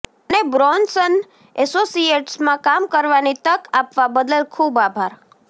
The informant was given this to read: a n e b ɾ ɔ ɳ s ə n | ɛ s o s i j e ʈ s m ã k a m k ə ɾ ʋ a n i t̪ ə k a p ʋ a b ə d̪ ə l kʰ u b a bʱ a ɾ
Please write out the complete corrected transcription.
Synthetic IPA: ə n e b ɾ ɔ n s ə n | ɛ s o s i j e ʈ s m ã k a m k ə ɾ ʋ a n i t̪ ə k a p ʋ a b ə d̪ ə l kʰ u b a bʱ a ɾ